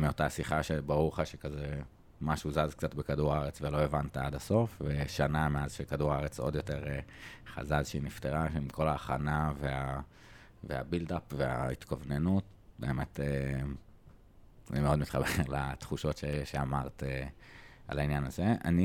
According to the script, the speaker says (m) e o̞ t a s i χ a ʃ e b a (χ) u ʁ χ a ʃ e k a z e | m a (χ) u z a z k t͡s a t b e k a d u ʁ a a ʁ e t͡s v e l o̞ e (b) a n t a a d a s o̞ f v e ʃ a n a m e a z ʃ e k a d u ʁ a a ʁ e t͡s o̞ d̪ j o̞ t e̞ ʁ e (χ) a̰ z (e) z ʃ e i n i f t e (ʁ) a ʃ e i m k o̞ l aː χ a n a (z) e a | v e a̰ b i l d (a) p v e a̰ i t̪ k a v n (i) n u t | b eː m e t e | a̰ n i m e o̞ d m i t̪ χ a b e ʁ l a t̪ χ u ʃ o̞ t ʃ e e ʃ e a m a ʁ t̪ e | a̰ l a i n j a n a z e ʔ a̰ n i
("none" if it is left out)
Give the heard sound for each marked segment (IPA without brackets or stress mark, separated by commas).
m, ʁ, ʃ, v, χ, a, ʁ, v, a, e